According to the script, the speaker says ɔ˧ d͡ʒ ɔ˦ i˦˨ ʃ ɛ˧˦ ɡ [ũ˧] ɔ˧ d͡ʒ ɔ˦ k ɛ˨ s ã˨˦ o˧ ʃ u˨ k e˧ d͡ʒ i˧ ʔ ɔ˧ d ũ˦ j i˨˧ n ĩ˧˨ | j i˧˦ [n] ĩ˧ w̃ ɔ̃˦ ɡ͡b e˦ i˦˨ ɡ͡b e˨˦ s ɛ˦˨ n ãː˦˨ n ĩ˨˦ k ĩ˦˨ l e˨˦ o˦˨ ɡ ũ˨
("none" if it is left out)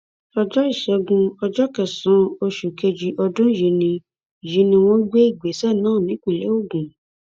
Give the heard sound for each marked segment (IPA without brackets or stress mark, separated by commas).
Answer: ũ˧, n